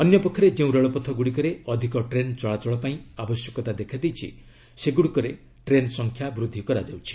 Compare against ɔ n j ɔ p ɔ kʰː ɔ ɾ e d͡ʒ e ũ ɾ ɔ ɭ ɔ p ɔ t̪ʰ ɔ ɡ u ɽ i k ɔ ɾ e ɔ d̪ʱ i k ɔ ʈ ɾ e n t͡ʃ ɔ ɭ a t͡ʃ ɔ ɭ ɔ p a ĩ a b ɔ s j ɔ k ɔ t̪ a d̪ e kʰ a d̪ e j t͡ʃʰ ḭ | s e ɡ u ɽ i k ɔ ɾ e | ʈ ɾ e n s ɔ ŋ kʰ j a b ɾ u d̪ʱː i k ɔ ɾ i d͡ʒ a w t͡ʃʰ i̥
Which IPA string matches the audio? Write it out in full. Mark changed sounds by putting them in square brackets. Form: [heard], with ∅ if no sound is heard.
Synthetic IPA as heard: ɔ n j ɔ p ɔ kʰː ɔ ɾ e d͡ʒ e ũ ɾ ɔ ɭ ɔ p ɔ t̪ʰ ɔ ɡ u ɽ i k ɔ ɾ e ɔ d̪ʱ i k ɔ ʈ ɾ e n t͡ʃ ɔ ɭ a t͡ʃ ɔ ɭ ɔ p a ĩ a b ɔ s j ɔ k ɔ t̪ a d̪ e kʰ a d̪ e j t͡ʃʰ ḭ | s e ɡ u ɽ i k ɔ ɾ e | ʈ ɾ e n s ɔ ŋ kʰ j a b ɾ u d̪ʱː i k ɔ ɾ [a] d͡ʒ a w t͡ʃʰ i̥